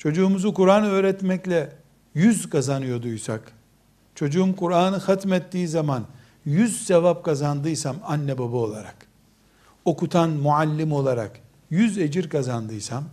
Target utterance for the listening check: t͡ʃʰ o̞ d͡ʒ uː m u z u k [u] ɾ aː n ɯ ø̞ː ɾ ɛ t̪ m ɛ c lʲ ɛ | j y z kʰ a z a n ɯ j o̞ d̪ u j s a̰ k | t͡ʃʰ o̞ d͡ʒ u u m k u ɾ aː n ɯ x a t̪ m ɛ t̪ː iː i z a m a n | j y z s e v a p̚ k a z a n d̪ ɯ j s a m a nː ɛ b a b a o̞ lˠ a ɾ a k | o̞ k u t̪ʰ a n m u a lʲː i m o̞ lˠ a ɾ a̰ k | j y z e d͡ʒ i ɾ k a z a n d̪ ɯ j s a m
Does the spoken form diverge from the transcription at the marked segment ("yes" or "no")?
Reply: no